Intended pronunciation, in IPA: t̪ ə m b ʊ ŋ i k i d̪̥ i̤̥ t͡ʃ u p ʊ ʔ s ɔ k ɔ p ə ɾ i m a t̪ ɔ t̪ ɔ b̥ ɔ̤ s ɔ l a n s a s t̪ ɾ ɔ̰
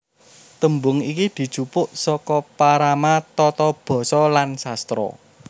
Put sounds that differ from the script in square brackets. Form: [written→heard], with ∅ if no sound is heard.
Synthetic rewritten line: t̪ ə m b ʊ ŋ i k i d̪̥ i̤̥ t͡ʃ u p ʊ ʔ s ɔ k ɔ p [ə→a] ɾ [i→a] m a t̪ ɔ t̪ ɔ b̥ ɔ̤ s ɔ l a n s a s t̪ ɾ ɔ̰

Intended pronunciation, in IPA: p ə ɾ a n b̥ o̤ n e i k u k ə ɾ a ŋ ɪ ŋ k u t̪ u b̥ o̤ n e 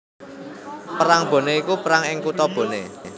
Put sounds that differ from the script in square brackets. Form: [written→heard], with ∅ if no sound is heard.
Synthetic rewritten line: p ə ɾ a [n→ŋ] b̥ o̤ n e i k u [k→p] ə ɾ a ŋ ɪ ŋ k u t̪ [u→ɔ] b̥ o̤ n e

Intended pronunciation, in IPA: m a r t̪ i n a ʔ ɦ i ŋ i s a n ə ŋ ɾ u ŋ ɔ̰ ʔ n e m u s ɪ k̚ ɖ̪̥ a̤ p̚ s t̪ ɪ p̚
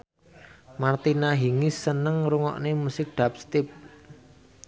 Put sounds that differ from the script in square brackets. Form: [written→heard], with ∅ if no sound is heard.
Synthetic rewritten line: m a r t̪ i n a [ʔ→∅] ɦ i ŋ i s [a→ə] n ə ŋ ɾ u ŋ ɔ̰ ʔ n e m u s ɪ k̚ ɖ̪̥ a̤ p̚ s t̪ ɪ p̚

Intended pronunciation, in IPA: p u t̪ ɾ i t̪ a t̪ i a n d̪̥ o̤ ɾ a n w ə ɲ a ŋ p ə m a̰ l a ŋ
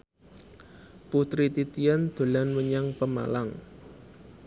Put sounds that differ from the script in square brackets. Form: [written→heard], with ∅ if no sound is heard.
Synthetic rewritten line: p u t̪ ɾ i t̪ [a→i] t̪ i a n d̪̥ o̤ [ɾ→l] a n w ə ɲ a ŋ p ə m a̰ l a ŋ

